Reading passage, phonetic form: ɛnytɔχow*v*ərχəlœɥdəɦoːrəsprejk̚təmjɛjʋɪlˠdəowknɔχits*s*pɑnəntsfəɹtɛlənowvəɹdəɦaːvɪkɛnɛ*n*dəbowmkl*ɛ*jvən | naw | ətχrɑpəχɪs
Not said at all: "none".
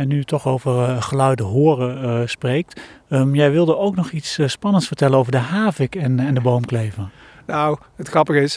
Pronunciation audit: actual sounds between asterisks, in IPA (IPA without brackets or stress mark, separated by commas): v, s, n, e